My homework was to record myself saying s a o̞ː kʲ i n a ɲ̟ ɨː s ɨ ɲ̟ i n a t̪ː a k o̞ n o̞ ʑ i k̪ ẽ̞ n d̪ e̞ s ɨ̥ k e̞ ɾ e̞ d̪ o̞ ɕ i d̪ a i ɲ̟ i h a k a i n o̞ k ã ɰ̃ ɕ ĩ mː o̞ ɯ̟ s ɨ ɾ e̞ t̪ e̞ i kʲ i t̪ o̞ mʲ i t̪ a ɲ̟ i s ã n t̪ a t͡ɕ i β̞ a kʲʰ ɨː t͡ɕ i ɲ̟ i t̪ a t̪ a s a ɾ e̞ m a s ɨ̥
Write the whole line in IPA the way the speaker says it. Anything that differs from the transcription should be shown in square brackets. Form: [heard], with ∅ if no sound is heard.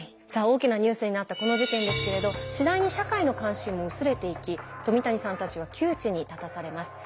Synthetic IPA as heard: s a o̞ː kʲ i n a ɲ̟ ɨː s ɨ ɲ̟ i n a t̪ː a k o̞ n o̞ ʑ i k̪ ẽ̞ n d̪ e̞ s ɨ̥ k e̞ ɾ e̞ d̪ o̞ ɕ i d̪ a i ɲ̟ i [ɕ] a k a i n o̞ k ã ɰ̃ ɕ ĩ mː o̞ ɯ̟ s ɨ ɾ e̞ t̪ e̞ i kʲ i t̪ o̞ mʲ i t̪ a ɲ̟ i s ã n t̪ a t͡ɕ i β̞ a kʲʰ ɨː t͡ɕ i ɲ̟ i t̪ a t̪ a s a ɾ e̞ m a s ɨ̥